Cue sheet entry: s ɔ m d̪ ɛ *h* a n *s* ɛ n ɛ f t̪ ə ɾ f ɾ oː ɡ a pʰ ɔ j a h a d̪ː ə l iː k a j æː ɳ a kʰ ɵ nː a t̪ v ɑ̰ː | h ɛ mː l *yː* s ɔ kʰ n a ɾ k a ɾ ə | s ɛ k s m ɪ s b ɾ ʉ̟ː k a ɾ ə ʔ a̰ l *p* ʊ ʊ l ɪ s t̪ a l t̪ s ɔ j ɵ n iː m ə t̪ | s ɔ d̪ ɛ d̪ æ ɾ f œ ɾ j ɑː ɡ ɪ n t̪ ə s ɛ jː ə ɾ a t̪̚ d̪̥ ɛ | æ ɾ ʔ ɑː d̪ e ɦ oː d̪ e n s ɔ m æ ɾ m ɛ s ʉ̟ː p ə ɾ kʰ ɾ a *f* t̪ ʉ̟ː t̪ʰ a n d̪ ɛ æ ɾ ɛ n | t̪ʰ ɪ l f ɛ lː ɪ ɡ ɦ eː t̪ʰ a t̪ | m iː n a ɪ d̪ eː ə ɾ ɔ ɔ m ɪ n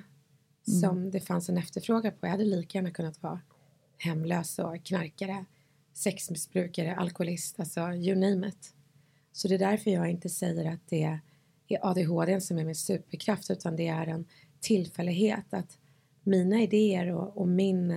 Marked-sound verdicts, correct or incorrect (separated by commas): incorrect, correct, incorrect, incorrect, correct